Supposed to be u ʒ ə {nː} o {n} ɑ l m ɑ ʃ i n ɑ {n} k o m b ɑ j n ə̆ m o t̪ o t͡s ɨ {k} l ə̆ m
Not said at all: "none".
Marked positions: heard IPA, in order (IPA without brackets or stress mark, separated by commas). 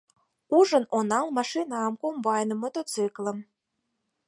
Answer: n, n, m, k